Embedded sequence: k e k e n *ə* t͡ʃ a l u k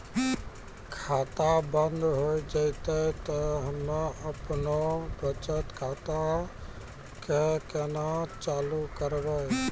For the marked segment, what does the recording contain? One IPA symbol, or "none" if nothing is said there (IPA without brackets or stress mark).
a